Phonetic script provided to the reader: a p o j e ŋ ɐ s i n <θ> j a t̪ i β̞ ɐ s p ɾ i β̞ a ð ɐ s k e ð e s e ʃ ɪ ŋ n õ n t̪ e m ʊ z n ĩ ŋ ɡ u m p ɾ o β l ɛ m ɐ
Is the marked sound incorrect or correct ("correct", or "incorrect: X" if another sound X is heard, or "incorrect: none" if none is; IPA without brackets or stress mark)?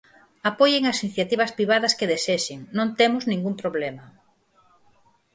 correct